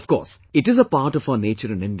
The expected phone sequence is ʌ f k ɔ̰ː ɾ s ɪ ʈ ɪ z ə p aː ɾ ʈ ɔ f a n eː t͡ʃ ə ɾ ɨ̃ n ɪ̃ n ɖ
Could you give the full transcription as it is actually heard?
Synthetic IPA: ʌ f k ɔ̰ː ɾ s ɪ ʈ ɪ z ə p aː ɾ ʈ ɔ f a n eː t͡ʃ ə ɾ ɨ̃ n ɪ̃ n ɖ